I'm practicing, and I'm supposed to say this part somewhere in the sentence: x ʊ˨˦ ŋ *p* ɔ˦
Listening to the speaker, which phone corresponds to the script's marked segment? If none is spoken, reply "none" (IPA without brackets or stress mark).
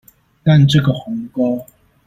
k